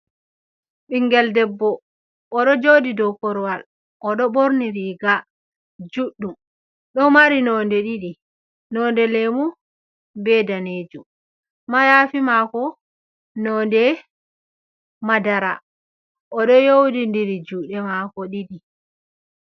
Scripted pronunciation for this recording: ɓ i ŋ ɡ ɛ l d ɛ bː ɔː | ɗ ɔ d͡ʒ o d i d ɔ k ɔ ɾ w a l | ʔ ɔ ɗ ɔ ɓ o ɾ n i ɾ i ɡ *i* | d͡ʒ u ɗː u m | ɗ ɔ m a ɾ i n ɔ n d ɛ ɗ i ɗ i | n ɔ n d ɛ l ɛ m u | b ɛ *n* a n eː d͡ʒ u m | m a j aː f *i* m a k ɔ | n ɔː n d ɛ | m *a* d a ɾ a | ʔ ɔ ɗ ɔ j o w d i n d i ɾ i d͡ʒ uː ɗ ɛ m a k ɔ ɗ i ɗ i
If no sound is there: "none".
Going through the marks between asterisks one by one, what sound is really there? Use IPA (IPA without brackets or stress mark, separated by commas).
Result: a, d, i, a